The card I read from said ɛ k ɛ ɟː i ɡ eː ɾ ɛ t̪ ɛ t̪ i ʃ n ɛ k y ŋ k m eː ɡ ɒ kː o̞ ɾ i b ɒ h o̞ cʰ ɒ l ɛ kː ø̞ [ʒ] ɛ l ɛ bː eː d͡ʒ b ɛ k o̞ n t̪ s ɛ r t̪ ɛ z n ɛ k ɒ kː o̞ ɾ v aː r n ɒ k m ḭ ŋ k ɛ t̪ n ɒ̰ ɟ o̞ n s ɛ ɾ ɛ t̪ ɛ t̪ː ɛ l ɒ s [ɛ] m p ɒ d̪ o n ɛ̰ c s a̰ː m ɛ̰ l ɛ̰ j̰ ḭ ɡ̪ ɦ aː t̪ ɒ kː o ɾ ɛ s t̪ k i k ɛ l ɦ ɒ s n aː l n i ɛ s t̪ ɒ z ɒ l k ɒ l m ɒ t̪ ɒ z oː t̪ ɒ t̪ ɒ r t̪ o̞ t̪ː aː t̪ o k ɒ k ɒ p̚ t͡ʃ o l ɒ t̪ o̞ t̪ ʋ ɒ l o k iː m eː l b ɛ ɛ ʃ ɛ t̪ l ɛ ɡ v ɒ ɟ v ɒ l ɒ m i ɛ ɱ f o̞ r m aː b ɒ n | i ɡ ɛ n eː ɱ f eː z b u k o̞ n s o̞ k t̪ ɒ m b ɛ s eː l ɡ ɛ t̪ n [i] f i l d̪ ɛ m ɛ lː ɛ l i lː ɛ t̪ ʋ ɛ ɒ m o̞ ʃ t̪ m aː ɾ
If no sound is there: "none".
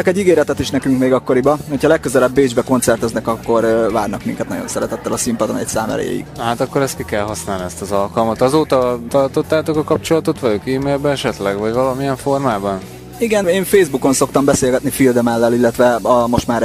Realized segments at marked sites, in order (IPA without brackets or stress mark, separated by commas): z, i, i